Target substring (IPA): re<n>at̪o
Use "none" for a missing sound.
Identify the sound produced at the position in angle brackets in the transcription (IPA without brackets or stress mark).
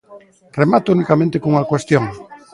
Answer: m